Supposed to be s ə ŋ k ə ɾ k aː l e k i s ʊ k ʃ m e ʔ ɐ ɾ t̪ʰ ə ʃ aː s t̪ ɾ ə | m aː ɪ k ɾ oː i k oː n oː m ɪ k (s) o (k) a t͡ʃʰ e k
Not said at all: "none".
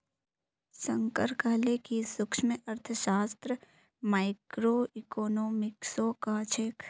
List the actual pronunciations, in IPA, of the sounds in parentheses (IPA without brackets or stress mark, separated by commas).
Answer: s, k